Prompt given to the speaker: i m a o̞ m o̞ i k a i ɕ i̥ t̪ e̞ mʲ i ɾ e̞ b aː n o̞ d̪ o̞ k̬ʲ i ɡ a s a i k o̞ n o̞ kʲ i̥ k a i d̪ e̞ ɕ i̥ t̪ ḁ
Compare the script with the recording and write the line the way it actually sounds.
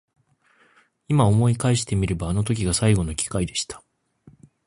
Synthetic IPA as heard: i m a o̞ m o̞ i k a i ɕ i̥ t̪ e̞ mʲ i ɾ e̞ b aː n o̞ t̪ o̞ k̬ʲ i ɡ a s a i ɡ o̞ n o̞ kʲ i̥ k a i d̪ e̞ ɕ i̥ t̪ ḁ